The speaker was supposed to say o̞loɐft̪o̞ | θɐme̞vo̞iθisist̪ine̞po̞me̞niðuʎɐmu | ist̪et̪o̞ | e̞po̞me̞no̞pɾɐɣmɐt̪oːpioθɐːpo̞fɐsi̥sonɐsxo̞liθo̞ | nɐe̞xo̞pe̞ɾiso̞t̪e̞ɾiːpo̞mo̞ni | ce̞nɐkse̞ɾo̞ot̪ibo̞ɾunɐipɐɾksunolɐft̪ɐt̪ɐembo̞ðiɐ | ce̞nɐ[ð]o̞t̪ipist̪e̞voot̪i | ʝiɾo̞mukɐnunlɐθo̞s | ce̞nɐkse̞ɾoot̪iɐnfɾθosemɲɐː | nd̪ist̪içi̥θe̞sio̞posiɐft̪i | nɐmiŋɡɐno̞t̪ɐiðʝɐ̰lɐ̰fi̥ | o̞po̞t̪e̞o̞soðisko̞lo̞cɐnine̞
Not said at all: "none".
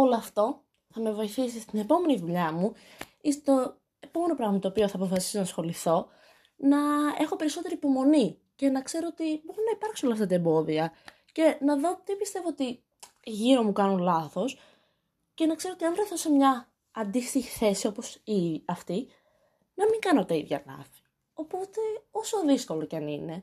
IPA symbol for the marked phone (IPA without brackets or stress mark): ð